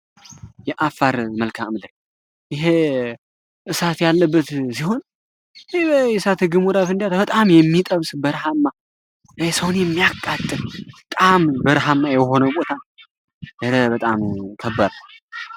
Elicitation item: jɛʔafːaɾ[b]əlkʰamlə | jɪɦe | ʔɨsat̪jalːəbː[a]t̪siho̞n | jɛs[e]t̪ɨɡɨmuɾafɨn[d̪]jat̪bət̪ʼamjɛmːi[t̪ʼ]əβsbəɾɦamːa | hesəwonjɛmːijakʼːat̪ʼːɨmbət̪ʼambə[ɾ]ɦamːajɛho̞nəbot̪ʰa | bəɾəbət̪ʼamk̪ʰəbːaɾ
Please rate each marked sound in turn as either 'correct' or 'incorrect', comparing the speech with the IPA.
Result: incorrect: m, incorrect: ə, incorrect: a, correct, correct, correct

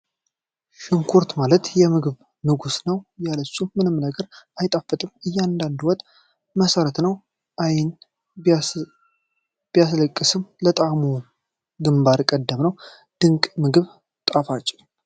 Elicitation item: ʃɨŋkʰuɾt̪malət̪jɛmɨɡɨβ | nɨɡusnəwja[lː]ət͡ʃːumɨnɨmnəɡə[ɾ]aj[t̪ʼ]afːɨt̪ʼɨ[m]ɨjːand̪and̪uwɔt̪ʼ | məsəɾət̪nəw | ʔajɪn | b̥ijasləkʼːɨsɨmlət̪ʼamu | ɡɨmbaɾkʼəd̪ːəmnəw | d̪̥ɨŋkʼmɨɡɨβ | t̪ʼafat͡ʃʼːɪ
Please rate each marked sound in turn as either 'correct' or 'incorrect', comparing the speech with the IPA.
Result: incorrect: l, correct, correct, correct

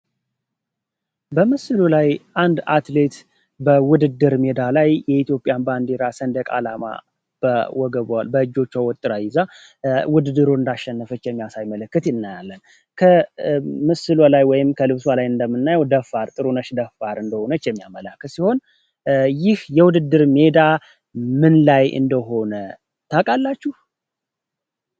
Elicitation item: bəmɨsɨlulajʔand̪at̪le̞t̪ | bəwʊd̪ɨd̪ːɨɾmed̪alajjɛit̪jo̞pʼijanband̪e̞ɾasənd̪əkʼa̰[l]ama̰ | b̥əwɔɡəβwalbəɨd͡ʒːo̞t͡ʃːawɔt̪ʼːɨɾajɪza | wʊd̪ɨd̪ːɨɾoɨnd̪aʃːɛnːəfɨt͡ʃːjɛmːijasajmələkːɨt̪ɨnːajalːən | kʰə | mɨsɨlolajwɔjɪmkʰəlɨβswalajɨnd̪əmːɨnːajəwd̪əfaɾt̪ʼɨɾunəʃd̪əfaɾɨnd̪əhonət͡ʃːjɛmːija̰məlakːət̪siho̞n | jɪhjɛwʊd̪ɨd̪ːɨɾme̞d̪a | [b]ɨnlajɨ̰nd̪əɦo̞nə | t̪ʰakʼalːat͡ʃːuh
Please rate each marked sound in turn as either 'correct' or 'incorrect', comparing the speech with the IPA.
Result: correct, incorrect: m

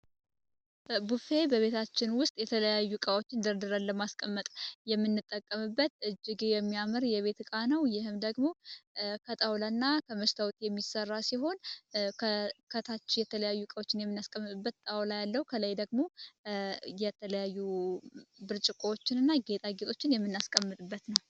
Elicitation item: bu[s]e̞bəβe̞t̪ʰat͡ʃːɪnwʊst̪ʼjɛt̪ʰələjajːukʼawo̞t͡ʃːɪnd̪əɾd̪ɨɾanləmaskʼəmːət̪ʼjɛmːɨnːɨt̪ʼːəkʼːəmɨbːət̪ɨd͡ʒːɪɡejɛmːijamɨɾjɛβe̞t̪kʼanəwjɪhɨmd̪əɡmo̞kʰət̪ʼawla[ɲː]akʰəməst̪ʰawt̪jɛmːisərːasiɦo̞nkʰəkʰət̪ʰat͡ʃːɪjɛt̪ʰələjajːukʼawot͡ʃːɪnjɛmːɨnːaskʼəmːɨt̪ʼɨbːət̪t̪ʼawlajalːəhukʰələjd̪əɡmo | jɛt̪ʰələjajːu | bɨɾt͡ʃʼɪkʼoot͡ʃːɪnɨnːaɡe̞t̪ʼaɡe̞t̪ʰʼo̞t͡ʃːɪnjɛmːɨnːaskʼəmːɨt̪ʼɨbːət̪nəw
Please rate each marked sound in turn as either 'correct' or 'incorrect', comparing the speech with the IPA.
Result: incorrect: f, incorrect: nː

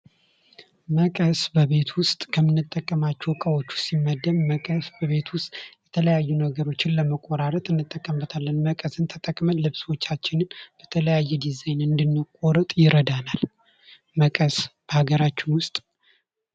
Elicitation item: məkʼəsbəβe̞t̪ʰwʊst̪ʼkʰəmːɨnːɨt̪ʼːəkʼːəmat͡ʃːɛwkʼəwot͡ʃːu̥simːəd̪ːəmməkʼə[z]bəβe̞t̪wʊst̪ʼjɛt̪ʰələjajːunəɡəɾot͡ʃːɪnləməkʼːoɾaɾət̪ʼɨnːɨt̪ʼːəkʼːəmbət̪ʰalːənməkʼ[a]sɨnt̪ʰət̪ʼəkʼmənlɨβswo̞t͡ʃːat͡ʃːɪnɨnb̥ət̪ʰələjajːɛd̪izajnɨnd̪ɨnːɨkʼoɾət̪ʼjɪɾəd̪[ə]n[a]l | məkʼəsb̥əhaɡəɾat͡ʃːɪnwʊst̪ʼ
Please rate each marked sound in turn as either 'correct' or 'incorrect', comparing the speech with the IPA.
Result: incorrect: s, incorrect: ə, incorrect: a, correct

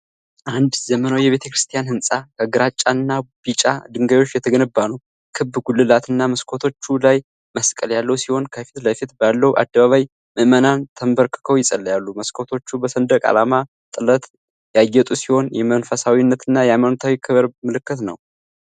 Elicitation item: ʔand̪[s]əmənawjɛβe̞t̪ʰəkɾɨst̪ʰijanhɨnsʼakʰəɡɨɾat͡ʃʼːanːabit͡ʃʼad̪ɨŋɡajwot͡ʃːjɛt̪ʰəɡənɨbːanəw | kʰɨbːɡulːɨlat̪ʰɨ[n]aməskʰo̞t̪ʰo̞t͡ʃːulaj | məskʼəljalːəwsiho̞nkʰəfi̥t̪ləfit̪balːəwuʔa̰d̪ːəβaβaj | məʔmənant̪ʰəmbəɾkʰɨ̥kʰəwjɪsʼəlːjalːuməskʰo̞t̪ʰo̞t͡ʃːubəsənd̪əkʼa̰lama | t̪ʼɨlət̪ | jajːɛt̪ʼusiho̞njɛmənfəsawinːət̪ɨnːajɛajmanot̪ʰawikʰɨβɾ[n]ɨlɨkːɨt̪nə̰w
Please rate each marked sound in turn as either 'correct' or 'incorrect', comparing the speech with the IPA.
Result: incorrect: z, incorrect: nː, incorrect: m

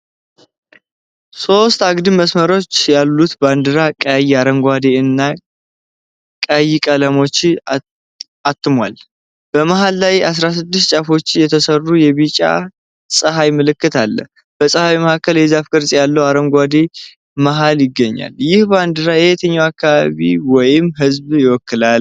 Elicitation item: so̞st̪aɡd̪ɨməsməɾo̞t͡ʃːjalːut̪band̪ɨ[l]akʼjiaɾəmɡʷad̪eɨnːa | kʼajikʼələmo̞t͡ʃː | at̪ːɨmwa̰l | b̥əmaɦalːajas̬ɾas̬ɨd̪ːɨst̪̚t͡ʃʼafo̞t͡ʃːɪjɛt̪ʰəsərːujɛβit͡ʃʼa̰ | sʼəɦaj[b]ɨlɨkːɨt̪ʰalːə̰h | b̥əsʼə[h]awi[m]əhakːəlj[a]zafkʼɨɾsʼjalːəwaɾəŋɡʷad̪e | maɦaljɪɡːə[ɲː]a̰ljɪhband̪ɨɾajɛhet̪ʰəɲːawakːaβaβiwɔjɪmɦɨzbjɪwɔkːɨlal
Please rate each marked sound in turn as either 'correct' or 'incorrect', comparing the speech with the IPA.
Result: incorrect: ɾ, incorrect: m, correct, correct, incorrect: ɛ, correct

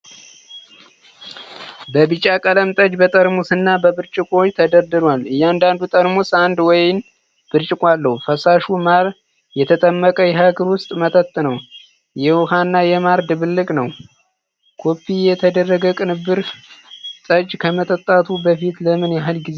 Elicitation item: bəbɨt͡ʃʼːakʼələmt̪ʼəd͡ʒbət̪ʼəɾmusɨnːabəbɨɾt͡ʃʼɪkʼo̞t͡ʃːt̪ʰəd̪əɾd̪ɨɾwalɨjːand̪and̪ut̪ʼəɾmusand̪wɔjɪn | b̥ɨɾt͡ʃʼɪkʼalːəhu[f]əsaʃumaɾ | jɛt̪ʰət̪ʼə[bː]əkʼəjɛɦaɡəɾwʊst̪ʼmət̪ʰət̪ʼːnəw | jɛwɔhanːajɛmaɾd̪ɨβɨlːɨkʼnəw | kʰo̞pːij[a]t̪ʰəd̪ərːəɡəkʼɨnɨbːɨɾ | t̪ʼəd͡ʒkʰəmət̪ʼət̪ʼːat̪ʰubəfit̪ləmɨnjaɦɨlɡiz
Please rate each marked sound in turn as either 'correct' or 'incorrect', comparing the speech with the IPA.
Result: correct, incorrect: mː, incorrect: ɛ

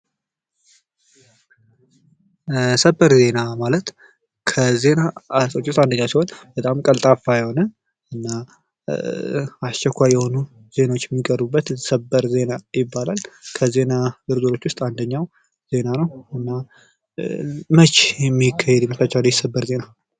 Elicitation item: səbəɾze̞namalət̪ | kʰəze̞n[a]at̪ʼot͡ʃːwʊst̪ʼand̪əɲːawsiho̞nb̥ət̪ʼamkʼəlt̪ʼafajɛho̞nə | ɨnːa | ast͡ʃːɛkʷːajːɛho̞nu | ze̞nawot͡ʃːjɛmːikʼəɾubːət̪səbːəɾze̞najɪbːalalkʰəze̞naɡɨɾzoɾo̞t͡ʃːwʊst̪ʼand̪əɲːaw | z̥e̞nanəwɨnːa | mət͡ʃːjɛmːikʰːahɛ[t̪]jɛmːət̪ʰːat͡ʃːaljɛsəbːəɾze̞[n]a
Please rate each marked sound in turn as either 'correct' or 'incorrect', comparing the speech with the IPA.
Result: correct, incorrect: d̪, correct

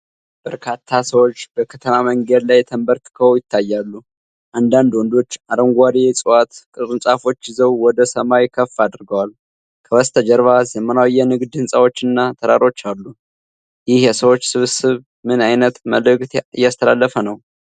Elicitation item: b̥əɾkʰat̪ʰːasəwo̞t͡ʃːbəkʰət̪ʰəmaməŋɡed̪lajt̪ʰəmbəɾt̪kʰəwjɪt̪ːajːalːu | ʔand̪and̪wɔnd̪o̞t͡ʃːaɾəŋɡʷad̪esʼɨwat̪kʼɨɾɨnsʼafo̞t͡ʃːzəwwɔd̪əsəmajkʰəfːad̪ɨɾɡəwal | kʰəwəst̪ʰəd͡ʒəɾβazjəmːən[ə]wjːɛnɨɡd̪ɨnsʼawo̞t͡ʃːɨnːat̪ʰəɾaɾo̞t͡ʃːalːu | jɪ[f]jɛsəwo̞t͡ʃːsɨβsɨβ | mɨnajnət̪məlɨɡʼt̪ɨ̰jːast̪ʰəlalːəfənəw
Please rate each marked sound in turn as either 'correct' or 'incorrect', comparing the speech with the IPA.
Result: incorrect: a, incorrect: h

